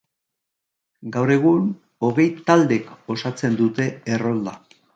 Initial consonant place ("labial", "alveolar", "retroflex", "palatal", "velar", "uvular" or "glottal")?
velar